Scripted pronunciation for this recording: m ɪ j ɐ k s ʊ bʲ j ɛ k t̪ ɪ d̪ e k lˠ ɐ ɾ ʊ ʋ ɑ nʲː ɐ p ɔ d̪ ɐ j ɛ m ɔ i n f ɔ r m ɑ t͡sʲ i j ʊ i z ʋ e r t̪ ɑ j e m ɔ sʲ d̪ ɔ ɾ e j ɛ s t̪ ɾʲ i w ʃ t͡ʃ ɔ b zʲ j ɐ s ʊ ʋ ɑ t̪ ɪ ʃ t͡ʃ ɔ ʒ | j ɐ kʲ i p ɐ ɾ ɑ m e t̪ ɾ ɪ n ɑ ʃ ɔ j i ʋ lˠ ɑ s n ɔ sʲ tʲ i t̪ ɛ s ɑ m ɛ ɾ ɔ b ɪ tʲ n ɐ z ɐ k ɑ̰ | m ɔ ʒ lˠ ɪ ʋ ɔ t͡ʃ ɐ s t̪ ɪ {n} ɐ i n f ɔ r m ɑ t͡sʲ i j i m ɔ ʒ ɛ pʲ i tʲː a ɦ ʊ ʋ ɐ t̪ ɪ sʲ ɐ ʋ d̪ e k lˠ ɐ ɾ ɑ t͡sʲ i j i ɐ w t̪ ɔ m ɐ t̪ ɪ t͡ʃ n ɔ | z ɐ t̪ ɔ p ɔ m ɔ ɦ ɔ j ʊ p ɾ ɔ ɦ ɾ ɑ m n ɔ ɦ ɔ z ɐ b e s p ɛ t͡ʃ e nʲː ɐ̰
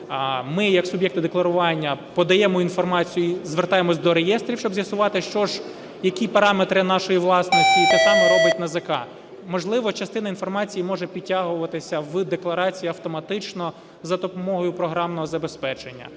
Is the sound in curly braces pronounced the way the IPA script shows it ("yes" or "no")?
yes